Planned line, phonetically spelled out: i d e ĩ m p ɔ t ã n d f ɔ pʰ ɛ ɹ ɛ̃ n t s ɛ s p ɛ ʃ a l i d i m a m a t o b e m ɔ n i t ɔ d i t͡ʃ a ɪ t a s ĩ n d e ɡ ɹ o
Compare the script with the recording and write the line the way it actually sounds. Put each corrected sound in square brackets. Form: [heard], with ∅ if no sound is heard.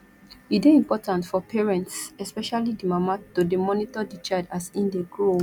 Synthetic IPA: i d e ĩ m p ɔ t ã n [t] f ɔ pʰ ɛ ɹ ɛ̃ n t s ɛ s p ɛ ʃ a l i d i m a m a t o [d] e m ɔ n i t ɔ d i t͡ʃ a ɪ [d] a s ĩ n d e ɡ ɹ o